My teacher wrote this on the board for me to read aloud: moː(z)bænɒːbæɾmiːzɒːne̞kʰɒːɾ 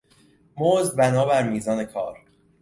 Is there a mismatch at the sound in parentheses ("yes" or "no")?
no